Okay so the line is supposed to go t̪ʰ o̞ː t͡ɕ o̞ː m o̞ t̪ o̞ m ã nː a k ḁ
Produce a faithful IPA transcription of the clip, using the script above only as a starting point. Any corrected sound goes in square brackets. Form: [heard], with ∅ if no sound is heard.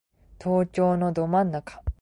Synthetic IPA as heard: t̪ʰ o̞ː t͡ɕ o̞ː [n] o̞ [d̪] o̞ m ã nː a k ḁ